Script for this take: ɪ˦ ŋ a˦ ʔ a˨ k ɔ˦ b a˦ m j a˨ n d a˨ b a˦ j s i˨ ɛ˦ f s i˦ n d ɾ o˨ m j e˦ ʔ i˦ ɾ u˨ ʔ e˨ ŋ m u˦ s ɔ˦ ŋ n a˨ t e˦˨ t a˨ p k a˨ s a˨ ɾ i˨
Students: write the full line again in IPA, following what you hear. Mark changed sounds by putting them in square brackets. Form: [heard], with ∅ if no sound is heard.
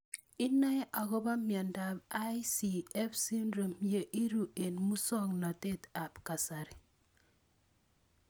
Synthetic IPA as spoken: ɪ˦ [n] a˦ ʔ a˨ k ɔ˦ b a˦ m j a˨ n d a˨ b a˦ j s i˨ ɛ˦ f s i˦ n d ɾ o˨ m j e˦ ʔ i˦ ɾ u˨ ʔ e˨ [n] m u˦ s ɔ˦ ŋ n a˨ t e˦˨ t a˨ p k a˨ s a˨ ɾ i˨